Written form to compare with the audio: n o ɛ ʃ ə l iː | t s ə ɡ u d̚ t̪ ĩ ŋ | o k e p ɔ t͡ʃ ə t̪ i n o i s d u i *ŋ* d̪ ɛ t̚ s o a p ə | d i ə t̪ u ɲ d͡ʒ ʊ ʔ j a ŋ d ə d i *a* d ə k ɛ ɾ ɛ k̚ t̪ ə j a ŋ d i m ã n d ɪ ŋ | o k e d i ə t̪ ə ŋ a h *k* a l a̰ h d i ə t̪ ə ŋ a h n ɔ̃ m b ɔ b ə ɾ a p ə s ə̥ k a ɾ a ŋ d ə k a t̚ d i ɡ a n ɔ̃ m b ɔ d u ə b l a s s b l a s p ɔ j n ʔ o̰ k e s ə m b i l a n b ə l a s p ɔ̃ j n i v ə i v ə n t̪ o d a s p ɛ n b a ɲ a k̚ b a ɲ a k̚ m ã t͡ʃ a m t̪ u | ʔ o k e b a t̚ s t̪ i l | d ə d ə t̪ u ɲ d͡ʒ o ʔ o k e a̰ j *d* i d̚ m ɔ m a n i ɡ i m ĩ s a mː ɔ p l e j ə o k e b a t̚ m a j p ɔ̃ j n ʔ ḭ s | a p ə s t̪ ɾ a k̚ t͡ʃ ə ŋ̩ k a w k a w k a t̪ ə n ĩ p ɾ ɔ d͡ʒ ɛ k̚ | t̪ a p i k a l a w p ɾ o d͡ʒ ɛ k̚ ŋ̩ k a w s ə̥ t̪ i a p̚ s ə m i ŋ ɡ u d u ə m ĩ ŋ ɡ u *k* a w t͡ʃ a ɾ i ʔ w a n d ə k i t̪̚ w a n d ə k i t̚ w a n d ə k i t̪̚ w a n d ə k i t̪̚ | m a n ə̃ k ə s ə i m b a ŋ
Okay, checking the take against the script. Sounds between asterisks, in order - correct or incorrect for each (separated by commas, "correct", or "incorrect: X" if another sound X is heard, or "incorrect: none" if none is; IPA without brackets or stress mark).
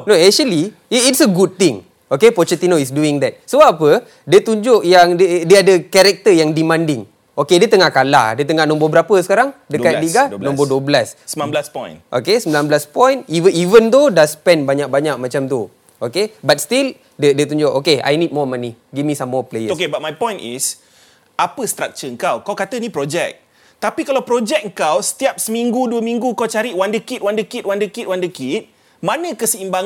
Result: correct, correct, correct, incorrect: n, correct